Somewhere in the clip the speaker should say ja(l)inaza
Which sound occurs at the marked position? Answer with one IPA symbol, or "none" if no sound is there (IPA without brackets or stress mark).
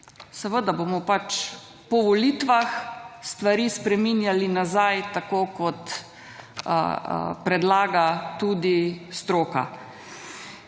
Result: l